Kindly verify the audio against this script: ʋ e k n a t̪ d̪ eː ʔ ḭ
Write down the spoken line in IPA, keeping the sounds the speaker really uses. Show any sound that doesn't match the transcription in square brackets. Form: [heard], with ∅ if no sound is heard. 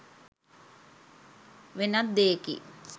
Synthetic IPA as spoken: ʋ e [∅] n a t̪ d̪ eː [k] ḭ